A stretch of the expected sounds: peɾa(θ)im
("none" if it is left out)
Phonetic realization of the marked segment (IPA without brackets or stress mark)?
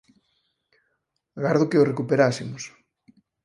s